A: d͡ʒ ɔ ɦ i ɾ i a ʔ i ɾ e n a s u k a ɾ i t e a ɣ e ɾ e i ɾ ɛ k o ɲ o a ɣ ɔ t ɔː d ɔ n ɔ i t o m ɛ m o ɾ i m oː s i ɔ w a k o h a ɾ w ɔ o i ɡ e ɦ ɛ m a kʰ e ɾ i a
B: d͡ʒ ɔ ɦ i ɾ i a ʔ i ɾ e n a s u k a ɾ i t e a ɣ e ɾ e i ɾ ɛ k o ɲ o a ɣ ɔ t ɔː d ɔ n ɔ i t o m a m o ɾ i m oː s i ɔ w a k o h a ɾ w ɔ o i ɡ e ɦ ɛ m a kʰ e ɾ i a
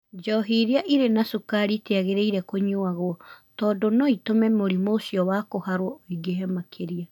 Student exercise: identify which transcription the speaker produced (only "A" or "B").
A